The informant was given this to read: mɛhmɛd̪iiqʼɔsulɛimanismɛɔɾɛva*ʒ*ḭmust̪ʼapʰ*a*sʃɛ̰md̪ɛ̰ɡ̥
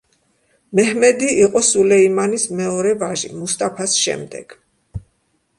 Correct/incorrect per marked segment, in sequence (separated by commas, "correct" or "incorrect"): correct, correct